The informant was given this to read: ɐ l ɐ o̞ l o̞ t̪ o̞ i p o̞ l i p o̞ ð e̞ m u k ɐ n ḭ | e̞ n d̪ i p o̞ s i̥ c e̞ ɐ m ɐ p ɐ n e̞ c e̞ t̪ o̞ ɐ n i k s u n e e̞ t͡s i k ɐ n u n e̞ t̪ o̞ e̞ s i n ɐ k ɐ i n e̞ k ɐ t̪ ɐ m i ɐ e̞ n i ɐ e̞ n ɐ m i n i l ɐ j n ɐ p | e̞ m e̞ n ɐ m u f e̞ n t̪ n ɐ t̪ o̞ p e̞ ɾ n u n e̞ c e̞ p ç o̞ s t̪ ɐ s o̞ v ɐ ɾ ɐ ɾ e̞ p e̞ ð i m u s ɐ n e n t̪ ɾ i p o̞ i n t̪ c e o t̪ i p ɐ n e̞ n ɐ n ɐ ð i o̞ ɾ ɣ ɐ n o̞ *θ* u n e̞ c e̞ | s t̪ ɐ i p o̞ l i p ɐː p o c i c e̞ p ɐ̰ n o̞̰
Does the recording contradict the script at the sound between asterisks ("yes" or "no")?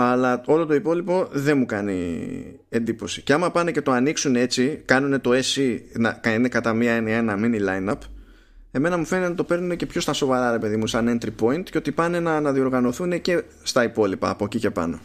no